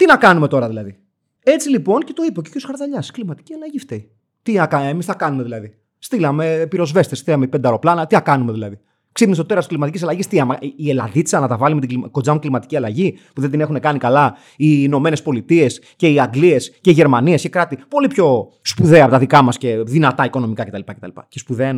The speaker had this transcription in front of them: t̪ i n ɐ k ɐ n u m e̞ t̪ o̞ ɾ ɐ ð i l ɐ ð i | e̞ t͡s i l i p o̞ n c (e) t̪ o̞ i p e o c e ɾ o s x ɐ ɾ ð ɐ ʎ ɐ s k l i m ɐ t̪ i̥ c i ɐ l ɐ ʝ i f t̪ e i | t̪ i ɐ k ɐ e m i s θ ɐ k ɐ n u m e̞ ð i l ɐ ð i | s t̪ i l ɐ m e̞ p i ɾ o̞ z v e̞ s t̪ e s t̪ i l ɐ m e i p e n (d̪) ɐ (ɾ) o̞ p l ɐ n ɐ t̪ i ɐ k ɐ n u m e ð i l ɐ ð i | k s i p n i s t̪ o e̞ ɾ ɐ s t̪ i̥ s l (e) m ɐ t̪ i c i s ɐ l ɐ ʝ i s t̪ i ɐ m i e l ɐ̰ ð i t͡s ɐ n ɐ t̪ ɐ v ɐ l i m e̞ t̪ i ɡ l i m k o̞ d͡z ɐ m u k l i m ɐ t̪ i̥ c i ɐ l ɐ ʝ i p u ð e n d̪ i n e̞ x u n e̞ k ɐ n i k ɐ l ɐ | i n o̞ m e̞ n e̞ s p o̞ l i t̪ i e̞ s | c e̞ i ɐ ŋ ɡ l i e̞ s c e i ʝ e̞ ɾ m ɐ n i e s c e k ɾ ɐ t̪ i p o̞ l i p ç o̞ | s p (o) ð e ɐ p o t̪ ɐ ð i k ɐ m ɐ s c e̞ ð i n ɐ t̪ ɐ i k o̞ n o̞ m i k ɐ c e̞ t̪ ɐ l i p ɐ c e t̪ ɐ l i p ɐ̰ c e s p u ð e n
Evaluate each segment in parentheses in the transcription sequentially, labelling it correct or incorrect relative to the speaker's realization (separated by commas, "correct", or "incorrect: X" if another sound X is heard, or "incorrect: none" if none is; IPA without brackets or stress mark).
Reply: correct, correct, correct, incorrect: i, incorrect: u